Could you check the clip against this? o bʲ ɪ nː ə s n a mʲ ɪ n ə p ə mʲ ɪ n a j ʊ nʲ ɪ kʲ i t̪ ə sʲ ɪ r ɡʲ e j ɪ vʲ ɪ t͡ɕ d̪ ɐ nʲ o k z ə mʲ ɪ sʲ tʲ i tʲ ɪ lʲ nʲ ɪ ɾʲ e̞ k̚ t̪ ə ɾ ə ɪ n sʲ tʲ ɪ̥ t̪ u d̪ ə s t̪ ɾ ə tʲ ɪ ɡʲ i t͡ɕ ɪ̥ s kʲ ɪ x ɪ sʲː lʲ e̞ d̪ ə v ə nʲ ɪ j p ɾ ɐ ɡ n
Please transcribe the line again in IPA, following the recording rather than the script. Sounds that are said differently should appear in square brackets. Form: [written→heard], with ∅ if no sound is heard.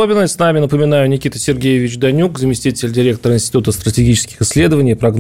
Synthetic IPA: o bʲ ɪ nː ə s n a mʲ ɪ n ə p ə mʲ ɪ n a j ʊ nʲ ɪ kʲ i t̪ ə sʲ ɪ r ɡʲ e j ɪ vʲ ɪ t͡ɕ d̪ ɐ nʲ [o→u] k z ə mʲ ɪ sʲ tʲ i tʲ ɪ lʲ [nʲ→dʲ] ɪ ɾʲ e̞ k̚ t̪ ə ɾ ə ɪ n sʲ tʲ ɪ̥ t̪ u [d̪→t̪] ə s t̪ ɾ ə tʲ ɪ ɡʲ i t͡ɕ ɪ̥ s kʲ ɪ x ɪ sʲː lʲ e̞ d̪ ə v ə nʲ ɪ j p ɾ ɐ ɡ n